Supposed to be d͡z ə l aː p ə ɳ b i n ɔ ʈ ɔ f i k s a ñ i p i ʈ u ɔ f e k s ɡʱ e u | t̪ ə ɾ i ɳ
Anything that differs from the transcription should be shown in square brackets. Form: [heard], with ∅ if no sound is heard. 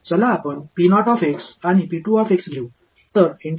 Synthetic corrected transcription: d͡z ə l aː p ə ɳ [p] i n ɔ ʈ ɔ f [e] k s a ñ i p i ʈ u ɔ f e k s ɡʱ e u | t̪ ə ɾ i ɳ